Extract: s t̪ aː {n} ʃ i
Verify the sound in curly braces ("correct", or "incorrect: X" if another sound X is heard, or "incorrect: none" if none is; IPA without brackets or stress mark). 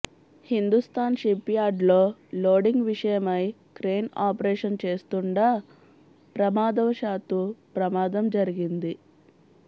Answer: correct